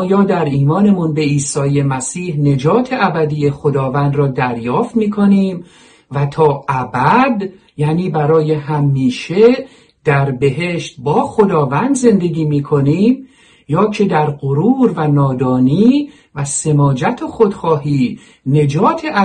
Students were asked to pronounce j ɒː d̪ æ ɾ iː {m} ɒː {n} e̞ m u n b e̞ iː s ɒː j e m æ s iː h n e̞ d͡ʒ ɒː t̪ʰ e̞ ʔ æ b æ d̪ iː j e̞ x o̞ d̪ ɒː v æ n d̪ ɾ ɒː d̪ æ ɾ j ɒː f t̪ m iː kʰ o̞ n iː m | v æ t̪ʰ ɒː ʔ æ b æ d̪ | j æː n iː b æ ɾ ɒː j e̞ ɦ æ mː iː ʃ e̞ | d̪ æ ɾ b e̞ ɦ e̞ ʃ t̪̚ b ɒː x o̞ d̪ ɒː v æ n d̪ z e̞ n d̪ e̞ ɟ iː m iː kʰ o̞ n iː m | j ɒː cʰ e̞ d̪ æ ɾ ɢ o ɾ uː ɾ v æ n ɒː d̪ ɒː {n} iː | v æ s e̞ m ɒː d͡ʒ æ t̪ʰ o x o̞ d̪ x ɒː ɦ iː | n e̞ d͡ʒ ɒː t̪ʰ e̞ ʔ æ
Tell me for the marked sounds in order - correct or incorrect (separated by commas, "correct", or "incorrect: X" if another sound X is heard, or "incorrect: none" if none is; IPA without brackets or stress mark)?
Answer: correct, correct, correct